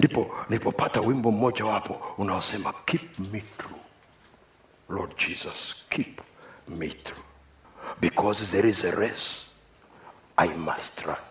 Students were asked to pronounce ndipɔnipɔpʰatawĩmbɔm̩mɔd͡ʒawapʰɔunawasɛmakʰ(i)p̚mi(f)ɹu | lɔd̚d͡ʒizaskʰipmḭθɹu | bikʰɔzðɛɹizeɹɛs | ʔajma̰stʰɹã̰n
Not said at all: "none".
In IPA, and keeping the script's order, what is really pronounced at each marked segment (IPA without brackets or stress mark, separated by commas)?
i, θ